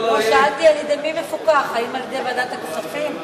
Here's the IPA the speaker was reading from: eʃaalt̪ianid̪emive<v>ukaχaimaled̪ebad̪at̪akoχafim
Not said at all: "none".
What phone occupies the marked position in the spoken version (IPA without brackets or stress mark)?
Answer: f